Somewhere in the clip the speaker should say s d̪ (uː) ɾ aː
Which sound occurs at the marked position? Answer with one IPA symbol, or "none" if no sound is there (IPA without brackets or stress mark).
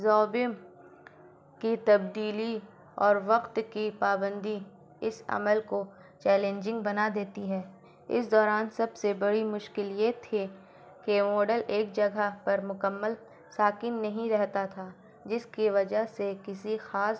ɔː